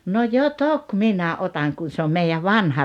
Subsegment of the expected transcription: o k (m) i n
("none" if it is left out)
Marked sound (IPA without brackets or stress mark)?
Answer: m